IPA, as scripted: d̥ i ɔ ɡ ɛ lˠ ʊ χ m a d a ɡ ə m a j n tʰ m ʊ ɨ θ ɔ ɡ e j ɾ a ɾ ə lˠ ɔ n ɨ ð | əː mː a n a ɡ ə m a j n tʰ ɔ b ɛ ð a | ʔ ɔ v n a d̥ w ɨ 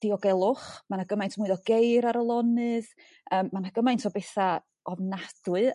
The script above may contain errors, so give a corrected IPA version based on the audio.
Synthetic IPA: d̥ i ɔ ɡ ɛ lˠ ʊ χ m a n a ɡ ə m a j n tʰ m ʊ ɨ ð ɔ ɡ e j ɾ a ɾ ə lˠ ɔ n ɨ ð | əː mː a n a ɡ ə m a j n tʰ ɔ b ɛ θ a | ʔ ɔ v n a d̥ w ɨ